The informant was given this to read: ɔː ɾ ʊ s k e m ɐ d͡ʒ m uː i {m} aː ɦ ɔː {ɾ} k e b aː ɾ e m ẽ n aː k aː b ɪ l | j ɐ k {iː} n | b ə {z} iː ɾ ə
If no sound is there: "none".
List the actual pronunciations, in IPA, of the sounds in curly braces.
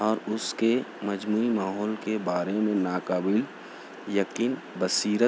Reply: m, l, iː, s

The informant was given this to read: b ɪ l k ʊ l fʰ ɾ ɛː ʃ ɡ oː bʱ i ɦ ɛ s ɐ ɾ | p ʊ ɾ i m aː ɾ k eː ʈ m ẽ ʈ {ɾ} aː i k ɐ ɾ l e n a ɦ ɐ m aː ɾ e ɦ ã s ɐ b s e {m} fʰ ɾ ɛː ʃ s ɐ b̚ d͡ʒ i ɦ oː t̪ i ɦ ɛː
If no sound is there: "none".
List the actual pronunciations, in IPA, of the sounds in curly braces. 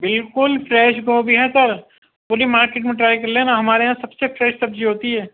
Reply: ɾ, none

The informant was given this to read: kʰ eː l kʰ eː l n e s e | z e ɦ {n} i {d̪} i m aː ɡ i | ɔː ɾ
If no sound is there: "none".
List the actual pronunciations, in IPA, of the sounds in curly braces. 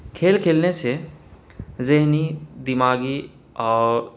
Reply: n, d̪

